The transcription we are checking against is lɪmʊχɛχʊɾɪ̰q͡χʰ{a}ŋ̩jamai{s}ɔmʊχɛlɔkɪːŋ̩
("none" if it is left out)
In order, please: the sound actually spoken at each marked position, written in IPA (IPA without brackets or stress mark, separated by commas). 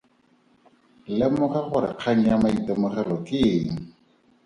a, t